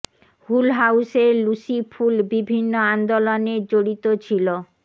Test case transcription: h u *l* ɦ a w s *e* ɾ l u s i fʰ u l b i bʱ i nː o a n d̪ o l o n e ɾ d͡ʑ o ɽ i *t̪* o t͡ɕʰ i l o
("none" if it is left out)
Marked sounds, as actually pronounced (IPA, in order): l, e, t̪

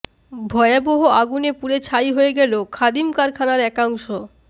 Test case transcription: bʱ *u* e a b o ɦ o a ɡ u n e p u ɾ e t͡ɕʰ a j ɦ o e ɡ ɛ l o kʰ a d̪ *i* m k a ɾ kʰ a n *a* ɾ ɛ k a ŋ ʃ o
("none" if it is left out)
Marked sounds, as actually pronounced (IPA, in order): ɔ, i, a

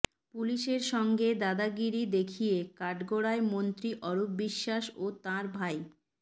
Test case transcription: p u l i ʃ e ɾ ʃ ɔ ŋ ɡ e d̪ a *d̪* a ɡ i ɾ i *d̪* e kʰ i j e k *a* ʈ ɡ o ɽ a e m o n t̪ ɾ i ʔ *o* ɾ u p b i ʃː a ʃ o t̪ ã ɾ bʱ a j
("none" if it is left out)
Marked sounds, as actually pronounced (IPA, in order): d̪, d̪, a, ɔ

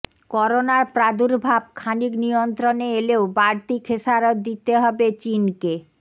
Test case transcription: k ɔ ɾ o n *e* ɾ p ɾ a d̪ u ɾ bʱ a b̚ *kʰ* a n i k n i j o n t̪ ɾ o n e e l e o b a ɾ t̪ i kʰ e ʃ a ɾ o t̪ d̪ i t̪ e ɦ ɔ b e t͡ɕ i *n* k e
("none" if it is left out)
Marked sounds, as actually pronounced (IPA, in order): a, kʰ, n

